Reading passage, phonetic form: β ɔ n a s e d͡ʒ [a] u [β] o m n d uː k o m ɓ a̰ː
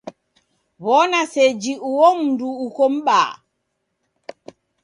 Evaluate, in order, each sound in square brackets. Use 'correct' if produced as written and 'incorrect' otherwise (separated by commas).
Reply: incorrect, incorrect